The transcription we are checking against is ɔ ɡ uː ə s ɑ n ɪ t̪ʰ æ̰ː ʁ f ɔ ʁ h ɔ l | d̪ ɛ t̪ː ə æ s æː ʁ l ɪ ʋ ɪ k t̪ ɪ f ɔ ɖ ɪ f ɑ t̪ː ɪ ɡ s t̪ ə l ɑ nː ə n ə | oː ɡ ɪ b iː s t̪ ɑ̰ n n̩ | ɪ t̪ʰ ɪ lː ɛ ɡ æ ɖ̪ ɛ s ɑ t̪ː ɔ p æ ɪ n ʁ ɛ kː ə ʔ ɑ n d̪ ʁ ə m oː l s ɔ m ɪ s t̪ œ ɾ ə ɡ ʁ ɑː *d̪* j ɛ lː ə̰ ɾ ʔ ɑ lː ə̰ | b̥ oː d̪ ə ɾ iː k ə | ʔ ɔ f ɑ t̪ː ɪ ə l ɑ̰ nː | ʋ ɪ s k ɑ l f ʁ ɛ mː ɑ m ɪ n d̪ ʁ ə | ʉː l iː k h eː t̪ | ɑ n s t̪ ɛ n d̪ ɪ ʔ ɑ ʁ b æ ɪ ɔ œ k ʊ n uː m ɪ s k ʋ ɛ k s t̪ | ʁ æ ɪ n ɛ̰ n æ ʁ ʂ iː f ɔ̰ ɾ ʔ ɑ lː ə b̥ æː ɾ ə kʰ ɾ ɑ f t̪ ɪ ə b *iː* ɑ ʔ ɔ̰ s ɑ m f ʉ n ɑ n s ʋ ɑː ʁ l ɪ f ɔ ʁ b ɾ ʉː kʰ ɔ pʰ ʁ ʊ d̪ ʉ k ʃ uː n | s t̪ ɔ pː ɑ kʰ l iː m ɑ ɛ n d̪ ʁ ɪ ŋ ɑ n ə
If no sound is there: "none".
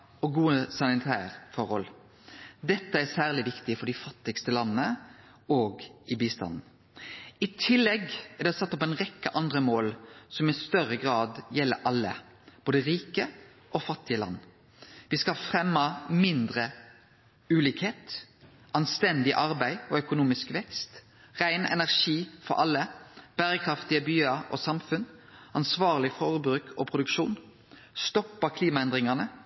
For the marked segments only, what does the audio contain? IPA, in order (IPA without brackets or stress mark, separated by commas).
d̪, yː